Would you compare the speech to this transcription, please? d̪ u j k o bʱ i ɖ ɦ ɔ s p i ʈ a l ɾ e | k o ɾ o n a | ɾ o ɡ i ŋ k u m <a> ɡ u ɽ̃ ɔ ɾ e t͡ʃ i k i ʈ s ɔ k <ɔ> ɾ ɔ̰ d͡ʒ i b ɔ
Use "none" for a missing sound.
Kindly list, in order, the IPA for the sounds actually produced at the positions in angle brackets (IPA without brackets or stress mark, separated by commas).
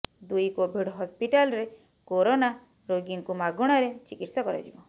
a, ɔ